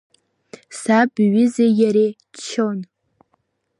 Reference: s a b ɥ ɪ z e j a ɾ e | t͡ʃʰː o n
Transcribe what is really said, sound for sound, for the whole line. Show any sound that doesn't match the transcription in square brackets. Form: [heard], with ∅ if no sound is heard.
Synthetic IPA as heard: s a b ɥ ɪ z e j a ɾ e | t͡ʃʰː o n

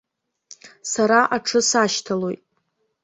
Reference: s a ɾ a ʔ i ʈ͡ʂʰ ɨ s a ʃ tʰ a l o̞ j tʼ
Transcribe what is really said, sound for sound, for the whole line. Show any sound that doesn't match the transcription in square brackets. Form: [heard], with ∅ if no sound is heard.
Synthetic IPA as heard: s a ɾ a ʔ [a] ʈ͡ʂʰ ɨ s a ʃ tʰ a l o̞ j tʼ

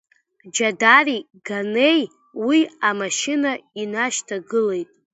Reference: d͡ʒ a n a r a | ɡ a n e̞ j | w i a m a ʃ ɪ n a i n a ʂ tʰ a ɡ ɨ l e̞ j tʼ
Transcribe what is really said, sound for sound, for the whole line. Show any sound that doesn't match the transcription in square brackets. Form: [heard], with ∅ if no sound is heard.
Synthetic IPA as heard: d͡ʒ a [d] a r [i] | ɡ a n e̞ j | w i a m a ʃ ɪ n a i n a [ʃ] tʰ a ɡ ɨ l e̞ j tʼ

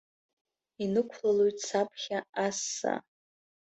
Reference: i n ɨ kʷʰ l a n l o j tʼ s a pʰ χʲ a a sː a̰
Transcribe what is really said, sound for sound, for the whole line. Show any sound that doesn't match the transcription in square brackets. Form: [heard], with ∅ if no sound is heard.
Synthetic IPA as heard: i n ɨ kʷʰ l a [∅] l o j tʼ s a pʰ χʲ a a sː a̰

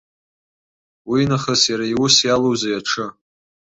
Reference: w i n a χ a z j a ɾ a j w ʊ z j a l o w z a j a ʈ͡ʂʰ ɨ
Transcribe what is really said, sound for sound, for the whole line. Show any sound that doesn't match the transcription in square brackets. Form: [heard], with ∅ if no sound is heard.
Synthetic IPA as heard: w i n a χ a [s] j a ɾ a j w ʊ [s] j a l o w z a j a ʈ͡ʂʰ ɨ

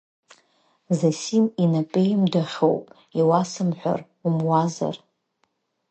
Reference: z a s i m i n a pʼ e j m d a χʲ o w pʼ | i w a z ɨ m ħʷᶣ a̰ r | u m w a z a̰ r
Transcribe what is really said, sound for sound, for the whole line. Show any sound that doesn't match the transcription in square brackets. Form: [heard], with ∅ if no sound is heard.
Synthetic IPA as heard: z a s i m i n a pʼ e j m d a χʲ o w pʼ | i w a [s] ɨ m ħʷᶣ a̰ r | u m w a z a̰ r

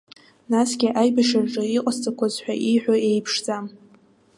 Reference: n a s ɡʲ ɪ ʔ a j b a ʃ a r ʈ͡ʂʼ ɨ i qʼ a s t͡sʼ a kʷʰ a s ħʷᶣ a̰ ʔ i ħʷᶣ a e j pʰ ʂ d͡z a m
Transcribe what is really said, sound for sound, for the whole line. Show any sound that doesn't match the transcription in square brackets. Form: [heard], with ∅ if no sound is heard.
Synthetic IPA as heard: n a s ɡʲ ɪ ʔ a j b a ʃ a r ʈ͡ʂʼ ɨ i qʼ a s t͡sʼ a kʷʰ a [z] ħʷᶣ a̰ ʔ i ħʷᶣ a e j pʰ ʂ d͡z a m

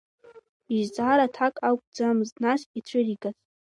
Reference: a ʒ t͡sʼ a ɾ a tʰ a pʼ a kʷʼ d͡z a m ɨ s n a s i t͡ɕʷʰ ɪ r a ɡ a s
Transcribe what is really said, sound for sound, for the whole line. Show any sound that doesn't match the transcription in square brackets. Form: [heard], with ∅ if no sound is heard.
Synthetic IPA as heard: [i] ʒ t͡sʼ a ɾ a tʰ a [kʼ] a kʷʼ d͡z a m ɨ [z] n a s i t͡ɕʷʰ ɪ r [i] ɡ a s

